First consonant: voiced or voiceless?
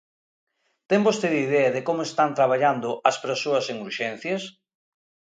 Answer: voiceless